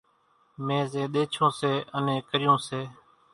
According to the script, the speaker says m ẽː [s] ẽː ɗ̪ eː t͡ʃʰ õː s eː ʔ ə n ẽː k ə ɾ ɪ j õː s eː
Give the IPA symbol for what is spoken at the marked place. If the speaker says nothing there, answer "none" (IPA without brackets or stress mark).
z